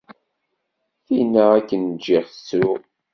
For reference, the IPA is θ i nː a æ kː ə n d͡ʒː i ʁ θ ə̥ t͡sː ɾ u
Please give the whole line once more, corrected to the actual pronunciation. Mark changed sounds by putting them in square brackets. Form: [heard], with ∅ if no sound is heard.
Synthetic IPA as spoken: θ i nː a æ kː ə n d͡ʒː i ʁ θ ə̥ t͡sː ɾ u

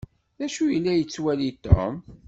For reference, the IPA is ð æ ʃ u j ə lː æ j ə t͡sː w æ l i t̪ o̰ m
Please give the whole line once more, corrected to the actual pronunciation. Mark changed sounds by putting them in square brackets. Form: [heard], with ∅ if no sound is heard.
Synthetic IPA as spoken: ð æ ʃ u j ə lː æ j ə t͡sː w æ l i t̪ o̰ m

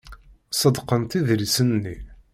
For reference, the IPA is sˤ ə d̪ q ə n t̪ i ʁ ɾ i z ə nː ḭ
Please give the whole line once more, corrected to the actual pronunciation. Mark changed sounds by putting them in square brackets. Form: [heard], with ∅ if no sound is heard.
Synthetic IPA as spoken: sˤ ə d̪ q ə n t̪ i [ð] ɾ i [s] ə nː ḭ

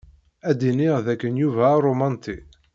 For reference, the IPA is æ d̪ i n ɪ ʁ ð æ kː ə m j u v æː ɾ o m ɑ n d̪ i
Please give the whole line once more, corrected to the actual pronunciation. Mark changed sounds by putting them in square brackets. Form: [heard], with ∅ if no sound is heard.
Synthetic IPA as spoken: æ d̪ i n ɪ ʁ ð æ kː ə [n] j u v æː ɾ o m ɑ n [t̪] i

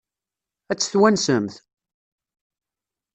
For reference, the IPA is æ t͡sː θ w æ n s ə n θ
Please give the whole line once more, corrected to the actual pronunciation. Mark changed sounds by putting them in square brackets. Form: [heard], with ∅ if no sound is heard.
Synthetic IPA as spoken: æ t͡sː θ w æ n s ə [m] θ

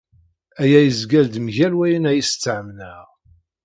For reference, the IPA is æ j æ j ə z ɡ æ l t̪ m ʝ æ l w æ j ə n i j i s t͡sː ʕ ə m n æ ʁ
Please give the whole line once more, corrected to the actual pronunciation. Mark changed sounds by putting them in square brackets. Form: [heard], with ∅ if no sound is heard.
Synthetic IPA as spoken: æ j æ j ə z ɡ æ l [d̪] m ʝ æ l w æ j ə n [æ] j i s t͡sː ʕ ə m n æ ʁ

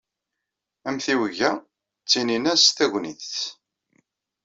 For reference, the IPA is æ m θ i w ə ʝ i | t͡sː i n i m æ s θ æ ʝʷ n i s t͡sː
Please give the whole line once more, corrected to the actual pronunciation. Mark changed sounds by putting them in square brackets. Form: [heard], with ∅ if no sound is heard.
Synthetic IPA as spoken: æ m θ i w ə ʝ [æ] | t͡sː i n i [n] æ s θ æ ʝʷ n i [θ] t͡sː

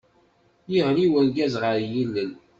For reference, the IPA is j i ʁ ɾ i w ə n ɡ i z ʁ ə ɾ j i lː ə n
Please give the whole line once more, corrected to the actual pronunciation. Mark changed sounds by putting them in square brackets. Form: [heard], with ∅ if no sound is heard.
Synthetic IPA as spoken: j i ʁ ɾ i w ə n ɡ [æ] z ʁ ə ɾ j i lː ə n

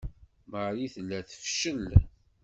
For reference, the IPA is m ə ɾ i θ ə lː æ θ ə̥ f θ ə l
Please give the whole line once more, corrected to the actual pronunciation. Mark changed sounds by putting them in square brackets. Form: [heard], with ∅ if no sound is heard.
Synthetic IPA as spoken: m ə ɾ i θ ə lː æ θ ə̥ f [ʃ] ə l

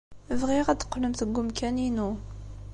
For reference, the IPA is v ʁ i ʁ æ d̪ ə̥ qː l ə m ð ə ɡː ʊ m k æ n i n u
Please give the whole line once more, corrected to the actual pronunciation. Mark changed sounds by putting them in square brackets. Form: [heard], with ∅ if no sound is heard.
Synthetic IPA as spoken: v ʁ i ʁ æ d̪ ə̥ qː l ə m [θ] ə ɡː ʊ m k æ n i n u

